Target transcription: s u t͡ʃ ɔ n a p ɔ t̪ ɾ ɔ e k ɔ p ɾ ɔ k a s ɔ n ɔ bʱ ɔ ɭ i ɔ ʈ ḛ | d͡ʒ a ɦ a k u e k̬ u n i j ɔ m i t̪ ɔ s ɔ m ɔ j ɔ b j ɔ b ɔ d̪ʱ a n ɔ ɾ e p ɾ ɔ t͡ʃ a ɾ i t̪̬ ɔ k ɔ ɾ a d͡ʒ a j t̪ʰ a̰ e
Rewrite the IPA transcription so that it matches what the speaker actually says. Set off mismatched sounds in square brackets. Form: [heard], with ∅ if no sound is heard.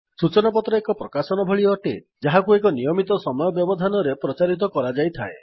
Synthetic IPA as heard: s u t͡ʃ ɔ n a p ɔ t̪ ɾ ɔ e k ɔ p ɾ ɔ k a s ɔ n ɔ bʱ ɔ ɭ i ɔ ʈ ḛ | d͡ʒ a ɦ a k u e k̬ [ɔ] n i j ɔ m i t̪ ɔ s ɔ m ɔ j ɔ b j ɔ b ɔ d̪ʱ a n ɔ ɾ e p ɾ ɔ t͡ʃ a ɾ i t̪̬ ɔ k ɔ ɾ a d͡ʒ a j t̪ʰ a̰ e